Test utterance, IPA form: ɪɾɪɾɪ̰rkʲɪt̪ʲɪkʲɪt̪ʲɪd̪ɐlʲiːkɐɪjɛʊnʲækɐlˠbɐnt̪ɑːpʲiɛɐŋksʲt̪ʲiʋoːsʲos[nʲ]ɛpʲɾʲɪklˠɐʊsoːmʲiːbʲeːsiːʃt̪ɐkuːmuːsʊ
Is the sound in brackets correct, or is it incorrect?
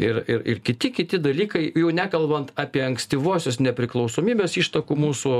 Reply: correct